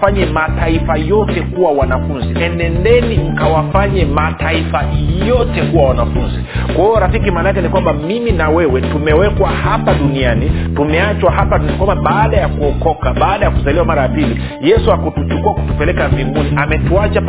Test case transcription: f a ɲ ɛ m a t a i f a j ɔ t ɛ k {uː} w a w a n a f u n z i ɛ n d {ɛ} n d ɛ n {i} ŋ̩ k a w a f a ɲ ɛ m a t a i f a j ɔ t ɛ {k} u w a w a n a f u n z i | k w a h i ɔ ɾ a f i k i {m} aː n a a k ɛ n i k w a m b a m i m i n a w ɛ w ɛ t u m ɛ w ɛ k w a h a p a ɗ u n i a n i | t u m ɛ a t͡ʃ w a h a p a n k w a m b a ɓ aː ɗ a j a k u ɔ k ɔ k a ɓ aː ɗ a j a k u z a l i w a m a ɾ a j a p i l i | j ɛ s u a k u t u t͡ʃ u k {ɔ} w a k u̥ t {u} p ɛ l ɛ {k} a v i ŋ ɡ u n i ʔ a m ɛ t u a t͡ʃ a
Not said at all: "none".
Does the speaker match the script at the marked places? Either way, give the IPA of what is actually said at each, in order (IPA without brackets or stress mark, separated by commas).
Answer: u, ɛ, i, k, m, u, u, k